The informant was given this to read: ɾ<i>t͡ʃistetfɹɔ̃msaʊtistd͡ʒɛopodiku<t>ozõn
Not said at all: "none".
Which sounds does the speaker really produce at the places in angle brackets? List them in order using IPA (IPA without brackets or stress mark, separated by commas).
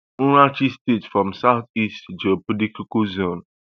a, k